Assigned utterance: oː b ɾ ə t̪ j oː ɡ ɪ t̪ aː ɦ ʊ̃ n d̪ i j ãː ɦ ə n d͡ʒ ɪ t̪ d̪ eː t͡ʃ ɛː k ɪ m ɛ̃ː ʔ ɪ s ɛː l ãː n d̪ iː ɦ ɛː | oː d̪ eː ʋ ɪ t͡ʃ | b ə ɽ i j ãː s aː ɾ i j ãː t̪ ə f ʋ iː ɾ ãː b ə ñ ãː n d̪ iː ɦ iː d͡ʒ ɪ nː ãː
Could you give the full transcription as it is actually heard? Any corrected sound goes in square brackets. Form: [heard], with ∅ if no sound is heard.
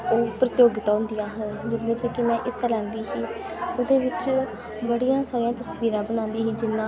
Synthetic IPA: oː [p] ɾ ə t̪ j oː ɡ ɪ t̪ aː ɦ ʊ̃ n d̪ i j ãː ɦ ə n d͡ʒ ɪ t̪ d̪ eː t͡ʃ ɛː k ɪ m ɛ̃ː ʔ ɪ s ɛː l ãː n d̪ iː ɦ [iː] | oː d̪ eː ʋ ɪ t͡ʃ | b ə ɽ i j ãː s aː ɾ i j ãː t̪ ə [s] ʋ iː ɾ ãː b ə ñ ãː n d̪ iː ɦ iː d͡ʒ ɪ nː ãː